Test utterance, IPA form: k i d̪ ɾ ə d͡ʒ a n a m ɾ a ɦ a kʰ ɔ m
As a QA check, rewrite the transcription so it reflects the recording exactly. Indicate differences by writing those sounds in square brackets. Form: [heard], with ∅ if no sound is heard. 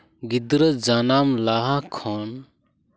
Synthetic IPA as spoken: [ɡ] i d̪ ɾ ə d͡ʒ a n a m [l] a ɦ a kʰ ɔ [n]